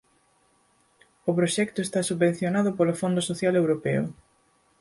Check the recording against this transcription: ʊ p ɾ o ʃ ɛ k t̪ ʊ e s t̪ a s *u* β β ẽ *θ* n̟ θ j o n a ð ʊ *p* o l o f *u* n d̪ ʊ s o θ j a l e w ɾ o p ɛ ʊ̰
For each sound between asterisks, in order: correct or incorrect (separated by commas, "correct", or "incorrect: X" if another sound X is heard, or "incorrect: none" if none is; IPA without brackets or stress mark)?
correct, incorrect: none, correct, incorrect: o